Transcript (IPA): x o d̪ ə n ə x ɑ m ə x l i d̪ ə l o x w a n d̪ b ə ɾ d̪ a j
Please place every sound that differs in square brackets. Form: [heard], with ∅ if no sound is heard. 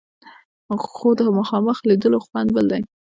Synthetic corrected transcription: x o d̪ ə [m] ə x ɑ m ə x l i d̪ ə l o x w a n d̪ b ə [l] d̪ a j